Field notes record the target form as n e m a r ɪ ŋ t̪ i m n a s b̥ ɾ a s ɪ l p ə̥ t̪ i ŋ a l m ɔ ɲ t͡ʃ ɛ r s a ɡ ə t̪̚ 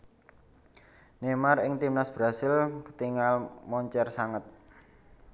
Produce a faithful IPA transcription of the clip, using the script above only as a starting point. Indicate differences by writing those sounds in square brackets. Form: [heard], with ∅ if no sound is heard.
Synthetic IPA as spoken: n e m a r ɪ ŋ t̪ i m n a s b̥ ɾ a s ɪ l [k] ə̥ t̪ i ŋ a l m ɔ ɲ t͡ʃ ɛ r s a [ŋ] ə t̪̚